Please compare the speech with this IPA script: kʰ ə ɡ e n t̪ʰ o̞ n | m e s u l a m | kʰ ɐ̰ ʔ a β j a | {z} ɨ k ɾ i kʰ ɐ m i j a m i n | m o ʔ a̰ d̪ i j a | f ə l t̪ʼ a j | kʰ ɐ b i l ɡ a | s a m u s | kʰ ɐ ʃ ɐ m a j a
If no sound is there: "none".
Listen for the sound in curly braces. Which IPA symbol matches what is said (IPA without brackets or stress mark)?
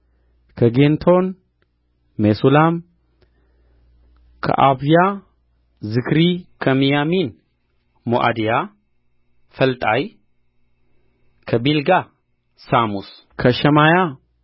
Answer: z